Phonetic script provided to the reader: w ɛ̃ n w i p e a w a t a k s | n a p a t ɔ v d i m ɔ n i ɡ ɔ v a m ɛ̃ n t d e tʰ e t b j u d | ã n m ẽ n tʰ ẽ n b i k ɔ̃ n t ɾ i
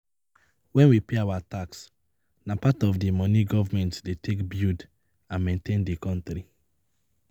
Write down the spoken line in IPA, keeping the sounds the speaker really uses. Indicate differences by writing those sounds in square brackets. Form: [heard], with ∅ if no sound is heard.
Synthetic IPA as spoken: w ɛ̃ n w i p e a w a t a k s | n a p a t ɔ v d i m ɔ n i ɡ ɔ v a m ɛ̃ n t d e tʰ e [k] b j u d | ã n m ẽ n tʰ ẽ n [d] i k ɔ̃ n t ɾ i